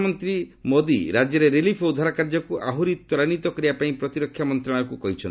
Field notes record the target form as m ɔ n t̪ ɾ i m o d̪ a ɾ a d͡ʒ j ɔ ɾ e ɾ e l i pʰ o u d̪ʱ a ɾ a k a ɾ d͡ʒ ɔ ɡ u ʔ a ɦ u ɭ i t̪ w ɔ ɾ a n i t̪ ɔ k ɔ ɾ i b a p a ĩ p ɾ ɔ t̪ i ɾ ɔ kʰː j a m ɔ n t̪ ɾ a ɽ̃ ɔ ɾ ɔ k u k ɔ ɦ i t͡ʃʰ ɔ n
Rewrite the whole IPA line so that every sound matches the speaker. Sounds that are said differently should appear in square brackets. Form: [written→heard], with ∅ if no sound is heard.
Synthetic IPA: m ɔ n t̪ ɾ i m o d̪ [a→i] ɾ a d͡ʒ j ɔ ɾ e ɾ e l i pʰ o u d̪ʱ a ɾ a k a ɾ d͡ʒ ɔ [ɡ→k] u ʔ a ɦ u [ɭ→ɾ] i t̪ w ɔ ɾ a n i t̪ ɔ k ɔ ɾ i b a p a ĩ p ɾ ɔ t̪ i ɾ ɔ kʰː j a m ɔ n t̪ ɾ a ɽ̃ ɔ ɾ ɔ k u k ɔ ɦ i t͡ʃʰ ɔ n